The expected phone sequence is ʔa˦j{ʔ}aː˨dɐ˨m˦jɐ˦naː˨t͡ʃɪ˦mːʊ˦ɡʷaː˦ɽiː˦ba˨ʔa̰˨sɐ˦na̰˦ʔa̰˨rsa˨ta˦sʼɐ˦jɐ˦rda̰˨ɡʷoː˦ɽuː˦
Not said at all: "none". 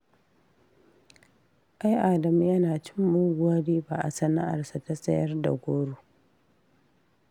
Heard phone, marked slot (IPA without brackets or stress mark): ʔ